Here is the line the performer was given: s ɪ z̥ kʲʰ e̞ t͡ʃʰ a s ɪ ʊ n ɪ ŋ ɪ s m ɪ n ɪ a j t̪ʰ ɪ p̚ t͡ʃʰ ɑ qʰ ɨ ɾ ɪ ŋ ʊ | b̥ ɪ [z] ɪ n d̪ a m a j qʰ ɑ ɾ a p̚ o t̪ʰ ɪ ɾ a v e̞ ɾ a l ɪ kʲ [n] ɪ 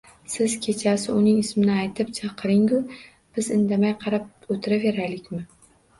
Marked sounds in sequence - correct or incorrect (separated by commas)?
correct, incorrect